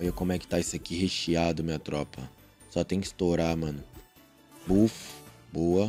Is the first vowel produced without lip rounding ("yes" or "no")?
no